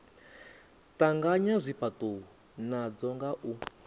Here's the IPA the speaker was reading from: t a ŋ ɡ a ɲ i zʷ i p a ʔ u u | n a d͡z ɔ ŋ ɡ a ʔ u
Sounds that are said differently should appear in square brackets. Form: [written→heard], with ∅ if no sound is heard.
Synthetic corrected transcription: t a ŋ ɡ a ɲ [i→a] zʷ i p a [ʔ→t] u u | n a d͡z ɔ ŋ ɡ a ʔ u